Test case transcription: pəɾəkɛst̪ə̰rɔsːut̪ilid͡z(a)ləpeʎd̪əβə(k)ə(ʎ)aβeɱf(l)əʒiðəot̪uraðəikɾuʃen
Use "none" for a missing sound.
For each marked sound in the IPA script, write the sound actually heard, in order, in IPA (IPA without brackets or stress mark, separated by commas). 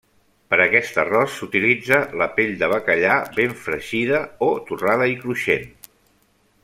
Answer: ə, k, ʎ, ɾ